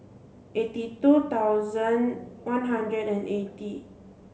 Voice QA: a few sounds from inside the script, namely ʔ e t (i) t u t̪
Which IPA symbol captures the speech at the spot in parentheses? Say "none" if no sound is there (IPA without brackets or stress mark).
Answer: i